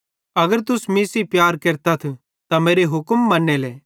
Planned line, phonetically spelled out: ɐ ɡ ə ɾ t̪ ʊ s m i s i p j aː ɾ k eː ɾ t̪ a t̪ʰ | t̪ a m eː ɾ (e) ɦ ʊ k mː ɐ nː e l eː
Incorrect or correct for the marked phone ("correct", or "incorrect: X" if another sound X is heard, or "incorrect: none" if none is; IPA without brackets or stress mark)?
correct